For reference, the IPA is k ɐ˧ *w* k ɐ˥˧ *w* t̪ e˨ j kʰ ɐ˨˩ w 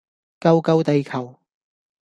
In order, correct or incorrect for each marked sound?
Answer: correct, correct

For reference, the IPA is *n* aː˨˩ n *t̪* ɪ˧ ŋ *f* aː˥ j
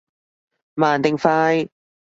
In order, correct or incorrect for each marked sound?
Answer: incorrect: m, correct, correct

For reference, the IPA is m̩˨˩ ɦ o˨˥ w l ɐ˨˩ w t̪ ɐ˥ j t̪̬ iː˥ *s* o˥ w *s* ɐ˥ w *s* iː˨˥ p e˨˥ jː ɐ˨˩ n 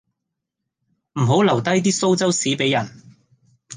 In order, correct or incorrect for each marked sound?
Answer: correct, incorrect: t͡s, correct

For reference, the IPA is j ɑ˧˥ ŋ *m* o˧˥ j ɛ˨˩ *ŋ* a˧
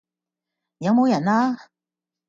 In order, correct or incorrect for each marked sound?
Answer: correct, incorrect: n

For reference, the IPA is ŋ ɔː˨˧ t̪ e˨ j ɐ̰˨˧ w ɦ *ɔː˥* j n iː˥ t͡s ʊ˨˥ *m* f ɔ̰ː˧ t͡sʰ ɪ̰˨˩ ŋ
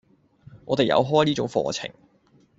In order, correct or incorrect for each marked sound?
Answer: correct, incorrect: ŋ

